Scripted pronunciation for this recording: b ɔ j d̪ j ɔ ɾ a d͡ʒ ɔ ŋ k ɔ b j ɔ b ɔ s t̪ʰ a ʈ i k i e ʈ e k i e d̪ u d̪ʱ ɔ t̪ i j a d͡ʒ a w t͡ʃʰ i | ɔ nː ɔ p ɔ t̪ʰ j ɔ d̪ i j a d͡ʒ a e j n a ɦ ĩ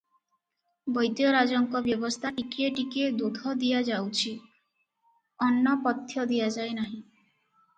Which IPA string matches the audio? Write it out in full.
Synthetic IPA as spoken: b ɔ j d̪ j ɔ ɾ a d͡ʒ ɔ ŋ k ɔ b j ɔ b ɔ s t̪ʰ a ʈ i k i e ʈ i k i e d̪ u d̪ʱ ɔ d̪ i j a d͡ʒ a w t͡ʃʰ i | ɔ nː ɔ p ɔ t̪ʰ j ɔ d̪ i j a d͡ʒ a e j n a ɦ ĩ

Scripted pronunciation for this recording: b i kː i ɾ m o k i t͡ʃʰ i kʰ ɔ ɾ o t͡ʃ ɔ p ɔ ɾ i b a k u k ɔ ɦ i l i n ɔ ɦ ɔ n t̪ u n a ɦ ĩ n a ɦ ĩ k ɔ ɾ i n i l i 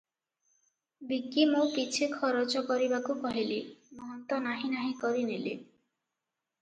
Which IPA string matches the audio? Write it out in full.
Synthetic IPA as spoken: b i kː i m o k i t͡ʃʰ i kʰ ɔ ɾ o t͡ʃ ɔ k ɔ ɾ i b a k u k ɔ ɦ i l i m ɔ ɦ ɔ n t̪ ɔ n a ɦ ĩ n a ɦ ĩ k ɔ ɾ i n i l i

